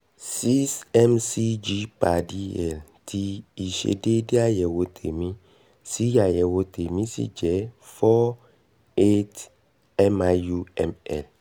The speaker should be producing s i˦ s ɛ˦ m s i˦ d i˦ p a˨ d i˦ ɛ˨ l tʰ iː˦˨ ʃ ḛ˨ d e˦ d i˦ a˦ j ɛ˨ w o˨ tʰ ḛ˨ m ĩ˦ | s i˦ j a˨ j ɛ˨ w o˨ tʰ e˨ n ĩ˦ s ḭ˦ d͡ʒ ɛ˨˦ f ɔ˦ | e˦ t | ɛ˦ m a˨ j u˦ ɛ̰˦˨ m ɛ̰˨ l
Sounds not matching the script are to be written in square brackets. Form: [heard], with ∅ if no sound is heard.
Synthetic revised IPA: s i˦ s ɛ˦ m s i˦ [d͡ʒ] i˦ p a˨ d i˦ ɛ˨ l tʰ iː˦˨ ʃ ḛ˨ d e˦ d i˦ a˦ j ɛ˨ w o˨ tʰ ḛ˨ m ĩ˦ | s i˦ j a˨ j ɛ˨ w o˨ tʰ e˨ [m] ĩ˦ s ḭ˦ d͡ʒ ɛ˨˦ f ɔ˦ | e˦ t | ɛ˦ m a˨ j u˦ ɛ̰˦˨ m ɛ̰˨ l

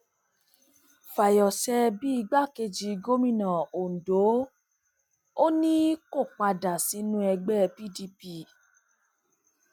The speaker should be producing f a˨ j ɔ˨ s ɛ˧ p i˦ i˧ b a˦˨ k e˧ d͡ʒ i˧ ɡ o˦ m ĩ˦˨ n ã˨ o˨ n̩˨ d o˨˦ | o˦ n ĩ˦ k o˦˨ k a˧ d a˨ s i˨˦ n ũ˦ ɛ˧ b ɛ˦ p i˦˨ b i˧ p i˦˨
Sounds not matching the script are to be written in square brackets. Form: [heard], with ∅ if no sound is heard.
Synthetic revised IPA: f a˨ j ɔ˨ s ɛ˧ [b] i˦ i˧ [ɡ͡b] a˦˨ k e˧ d͡ʒ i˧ ɡ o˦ m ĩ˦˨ n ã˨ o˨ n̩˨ d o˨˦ | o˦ n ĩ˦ k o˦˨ [k͡p] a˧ d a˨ s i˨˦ n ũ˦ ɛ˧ [ɡ͡b] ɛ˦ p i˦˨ [d] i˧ p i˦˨

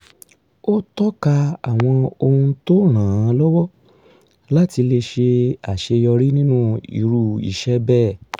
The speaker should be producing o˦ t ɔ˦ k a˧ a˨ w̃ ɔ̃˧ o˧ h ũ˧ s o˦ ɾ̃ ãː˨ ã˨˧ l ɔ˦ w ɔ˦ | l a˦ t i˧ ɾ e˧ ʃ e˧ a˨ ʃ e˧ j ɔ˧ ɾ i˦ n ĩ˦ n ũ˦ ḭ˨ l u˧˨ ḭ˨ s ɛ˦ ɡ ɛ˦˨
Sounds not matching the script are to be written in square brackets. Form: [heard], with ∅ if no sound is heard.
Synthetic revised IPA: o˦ t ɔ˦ k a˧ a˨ w̃ ɔ̃˧ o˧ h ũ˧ [t] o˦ ɾ̃ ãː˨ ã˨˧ l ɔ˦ w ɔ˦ | l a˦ t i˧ [l] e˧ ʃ e˧ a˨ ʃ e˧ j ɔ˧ ɾ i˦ n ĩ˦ n ũ˦ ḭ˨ [ɾ] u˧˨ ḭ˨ [ʃ] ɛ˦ [b] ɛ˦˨

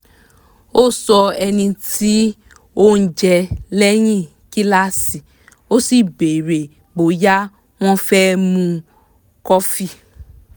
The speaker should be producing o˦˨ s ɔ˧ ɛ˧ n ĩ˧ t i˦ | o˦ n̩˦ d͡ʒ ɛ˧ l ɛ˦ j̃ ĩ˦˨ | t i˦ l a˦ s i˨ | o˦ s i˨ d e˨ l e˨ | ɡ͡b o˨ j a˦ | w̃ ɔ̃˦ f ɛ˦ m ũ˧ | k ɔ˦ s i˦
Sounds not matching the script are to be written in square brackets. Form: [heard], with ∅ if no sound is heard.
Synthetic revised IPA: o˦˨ s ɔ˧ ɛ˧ n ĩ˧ t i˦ | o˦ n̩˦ d͡ʒ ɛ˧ l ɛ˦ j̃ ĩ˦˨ | [k] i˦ l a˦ s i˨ | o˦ s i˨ [b] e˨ [ɾ] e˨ | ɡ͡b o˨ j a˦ | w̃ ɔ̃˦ f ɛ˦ m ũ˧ | k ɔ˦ [f] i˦

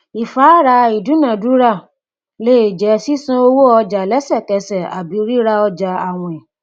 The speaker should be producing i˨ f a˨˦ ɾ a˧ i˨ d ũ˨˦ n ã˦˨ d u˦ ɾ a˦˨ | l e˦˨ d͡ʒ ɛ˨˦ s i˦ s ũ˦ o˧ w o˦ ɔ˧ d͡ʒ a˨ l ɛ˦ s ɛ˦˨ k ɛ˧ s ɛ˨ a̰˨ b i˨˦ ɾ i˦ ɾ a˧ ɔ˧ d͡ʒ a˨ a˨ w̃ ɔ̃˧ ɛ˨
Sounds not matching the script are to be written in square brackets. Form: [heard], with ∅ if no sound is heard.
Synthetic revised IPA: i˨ f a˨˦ ɾ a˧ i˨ d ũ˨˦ n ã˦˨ d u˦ ɾ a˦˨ | l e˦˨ d͡ʒ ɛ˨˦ s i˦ s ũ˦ o˧ w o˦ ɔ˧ d͡ʒ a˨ l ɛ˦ s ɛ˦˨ k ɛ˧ s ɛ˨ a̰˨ b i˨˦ ɾ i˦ ɾ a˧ ɔ˧ d͡ʒ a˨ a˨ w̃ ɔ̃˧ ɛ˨

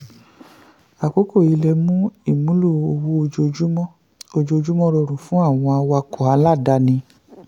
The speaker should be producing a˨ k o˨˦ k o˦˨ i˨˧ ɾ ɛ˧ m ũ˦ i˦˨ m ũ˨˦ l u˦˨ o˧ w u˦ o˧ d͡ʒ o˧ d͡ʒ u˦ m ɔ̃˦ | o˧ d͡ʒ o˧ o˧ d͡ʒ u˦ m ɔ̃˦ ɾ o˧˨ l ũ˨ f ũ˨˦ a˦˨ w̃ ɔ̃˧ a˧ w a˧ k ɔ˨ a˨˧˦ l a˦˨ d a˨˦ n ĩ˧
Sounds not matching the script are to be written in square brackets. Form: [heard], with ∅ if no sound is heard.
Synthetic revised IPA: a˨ k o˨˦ k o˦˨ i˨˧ [l] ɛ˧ m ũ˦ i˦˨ m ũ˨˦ l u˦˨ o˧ w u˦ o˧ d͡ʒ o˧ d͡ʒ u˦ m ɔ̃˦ | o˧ d͡ʒ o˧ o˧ d͡ʒ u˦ m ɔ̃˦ ɾ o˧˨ [ɾ] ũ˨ f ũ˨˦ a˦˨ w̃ ɔ̃˧ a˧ w a˧ k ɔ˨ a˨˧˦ l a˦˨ d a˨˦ n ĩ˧

